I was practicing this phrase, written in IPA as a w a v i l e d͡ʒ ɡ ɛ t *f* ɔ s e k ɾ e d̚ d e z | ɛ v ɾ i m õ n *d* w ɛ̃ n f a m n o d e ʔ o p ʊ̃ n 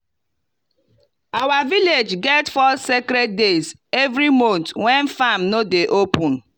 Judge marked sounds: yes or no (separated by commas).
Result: yes, no